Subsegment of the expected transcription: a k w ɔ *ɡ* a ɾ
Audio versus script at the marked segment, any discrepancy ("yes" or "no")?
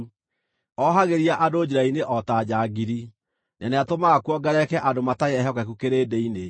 no